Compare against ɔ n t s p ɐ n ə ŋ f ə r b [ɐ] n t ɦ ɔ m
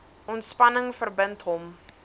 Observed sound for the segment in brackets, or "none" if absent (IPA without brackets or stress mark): ə